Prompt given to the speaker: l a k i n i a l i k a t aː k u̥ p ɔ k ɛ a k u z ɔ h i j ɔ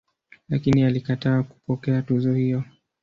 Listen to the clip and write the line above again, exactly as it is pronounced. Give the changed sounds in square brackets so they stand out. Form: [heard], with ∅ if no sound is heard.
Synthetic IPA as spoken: l a k i n i a l i k a t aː k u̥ p ɔ k ɛ a [t] u z ɔ h i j ɔ

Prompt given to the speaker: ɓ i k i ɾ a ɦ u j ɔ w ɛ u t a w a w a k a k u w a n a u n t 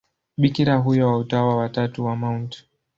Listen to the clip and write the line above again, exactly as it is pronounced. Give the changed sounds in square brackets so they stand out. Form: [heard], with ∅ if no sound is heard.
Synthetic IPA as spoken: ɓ i k i ɾ a ɦ u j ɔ w [a] u t a w a w a [t] a [t] u w a [m] a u n t

